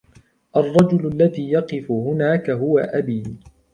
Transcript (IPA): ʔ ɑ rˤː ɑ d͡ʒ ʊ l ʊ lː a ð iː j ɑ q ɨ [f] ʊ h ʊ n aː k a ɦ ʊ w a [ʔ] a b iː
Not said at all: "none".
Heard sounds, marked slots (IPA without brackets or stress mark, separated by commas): f, ʔ